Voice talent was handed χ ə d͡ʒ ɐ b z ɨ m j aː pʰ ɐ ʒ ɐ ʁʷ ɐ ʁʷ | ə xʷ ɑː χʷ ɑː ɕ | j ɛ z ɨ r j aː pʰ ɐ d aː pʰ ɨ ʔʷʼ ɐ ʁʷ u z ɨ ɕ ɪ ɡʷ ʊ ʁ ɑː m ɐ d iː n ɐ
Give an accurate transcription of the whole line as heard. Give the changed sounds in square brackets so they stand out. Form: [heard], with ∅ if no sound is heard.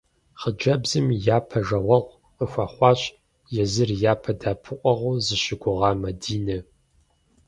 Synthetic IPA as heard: χ ə d͡ʒ ɐ b z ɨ m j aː pʰ ɐ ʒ ɐ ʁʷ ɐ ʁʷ | ə xʷ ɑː χʷ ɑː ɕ | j ɛ z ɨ r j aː pʰ ɐ d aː pʰ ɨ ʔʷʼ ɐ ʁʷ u z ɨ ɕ ɪ ɡʷ ʊ ʁ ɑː m ɐ d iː n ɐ